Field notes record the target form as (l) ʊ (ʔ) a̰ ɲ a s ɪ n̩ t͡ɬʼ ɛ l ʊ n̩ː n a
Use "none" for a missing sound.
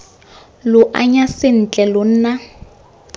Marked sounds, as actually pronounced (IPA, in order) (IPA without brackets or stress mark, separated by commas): l, ʔ